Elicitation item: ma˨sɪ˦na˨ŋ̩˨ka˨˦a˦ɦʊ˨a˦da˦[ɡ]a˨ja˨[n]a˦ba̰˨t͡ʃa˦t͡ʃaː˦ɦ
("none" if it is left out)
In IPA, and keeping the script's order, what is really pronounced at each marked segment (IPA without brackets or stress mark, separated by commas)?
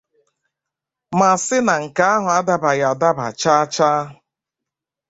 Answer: b, d